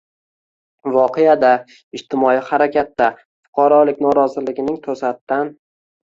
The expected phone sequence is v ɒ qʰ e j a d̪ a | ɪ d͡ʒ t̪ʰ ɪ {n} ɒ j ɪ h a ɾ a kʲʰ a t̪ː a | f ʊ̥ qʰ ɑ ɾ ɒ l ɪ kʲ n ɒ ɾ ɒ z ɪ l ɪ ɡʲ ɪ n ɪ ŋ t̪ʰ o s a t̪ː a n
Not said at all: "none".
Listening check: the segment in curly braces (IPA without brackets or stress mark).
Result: m